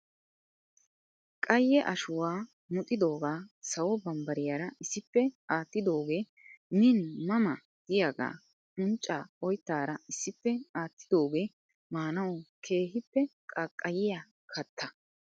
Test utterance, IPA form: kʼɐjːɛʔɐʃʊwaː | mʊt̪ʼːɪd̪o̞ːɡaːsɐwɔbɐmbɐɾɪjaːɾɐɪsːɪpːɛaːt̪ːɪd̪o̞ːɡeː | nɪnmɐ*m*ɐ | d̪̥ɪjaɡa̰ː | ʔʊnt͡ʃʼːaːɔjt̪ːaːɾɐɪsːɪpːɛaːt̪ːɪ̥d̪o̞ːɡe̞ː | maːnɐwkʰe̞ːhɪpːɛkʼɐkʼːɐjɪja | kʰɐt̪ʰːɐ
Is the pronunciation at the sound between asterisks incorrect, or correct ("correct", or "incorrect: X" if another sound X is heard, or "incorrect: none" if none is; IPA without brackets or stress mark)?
correct